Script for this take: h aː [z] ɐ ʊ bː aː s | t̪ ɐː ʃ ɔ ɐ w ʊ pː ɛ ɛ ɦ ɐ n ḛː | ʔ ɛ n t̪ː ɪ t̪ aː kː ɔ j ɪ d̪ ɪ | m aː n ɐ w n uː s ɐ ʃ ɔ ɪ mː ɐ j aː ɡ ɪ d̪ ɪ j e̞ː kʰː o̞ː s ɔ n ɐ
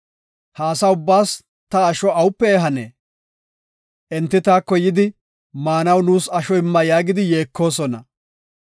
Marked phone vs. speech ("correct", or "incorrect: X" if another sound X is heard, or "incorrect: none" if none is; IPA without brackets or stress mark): incorrect: s